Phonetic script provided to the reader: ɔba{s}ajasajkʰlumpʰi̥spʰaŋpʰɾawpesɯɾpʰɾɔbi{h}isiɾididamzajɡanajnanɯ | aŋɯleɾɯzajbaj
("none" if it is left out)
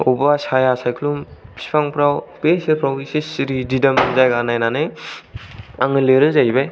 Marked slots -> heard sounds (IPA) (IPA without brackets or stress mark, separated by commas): s, s